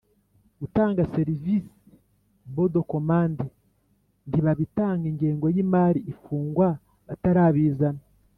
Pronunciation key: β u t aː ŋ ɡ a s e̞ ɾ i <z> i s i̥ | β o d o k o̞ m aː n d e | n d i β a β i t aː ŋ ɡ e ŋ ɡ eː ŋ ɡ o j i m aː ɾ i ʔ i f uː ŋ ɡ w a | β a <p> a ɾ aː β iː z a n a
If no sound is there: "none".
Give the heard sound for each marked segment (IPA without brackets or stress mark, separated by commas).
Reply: v, t